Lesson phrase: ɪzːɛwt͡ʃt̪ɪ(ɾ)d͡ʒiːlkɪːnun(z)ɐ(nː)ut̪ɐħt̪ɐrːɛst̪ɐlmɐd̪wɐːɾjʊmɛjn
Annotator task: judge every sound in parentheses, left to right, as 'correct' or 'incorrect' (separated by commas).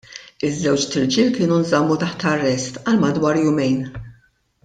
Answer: correct, correct, incorrect